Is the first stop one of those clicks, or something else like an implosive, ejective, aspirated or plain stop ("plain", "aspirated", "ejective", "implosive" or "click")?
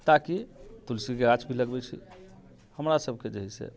plain